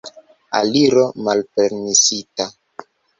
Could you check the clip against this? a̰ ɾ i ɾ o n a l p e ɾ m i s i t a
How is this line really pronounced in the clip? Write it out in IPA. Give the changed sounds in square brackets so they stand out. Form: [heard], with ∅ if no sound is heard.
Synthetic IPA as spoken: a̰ [l] i ɾ o [m] a l p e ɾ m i s i t a